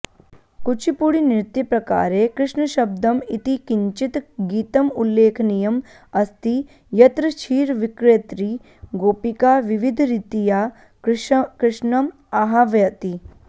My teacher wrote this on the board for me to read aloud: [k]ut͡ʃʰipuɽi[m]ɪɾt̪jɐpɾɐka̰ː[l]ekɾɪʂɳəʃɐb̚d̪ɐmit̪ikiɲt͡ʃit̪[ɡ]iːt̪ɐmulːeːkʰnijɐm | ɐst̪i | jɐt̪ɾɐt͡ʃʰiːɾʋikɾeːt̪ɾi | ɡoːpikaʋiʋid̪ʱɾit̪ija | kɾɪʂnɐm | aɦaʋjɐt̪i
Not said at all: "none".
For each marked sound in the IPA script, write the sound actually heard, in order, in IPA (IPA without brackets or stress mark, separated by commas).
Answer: k, n, ɾ, ɡ